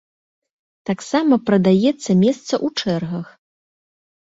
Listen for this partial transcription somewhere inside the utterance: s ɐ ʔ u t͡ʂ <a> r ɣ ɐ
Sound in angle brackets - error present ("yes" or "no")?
yes